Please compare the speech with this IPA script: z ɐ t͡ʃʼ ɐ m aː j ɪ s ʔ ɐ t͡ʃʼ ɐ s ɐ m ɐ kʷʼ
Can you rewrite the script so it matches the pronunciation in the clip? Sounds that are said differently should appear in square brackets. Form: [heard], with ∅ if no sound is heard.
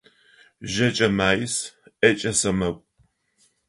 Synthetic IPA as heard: [ʒ] ɐ t͡ʃʼ ɐ m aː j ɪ s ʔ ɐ t͡ʃʼ ɐ s ɐ m ɐ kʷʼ